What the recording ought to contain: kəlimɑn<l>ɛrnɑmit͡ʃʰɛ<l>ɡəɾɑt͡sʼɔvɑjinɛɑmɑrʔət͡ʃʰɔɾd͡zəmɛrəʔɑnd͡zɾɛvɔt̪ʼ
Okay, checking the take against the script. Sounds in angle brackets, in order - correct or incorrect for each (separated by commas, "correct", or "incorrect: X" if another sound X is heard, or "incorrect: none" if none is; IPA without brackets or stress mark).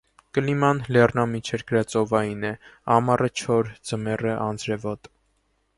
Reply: correct, incorrect: ɾ